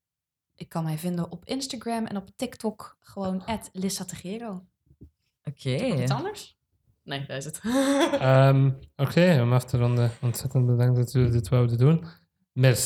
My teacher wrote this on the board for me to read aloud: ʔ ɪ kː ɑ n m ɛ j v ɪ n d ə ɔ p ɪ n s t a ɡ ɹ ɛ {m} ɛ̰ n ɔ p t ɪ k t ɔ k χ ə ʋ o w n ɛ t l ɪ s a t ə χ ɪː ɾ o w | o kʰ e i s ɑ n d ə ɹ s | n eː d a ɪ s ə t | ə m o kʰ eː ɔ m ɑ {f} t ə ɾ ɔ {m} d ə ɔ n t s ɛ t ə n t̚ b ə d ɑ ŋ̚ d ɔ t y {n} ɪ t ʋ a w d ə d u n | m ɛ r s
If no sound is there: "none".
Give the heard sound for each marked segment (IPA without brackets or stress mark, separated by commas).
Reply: m, f, n, d